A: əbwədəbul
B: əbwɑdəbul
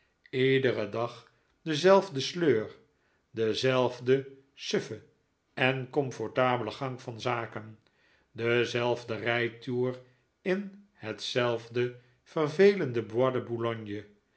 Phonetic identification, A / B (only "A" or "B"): B